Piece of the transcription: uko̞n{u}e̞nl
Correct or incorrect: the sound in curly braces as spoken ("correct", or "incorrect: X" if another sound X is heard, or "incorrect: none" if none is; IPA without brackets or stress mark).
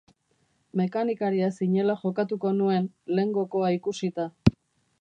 correct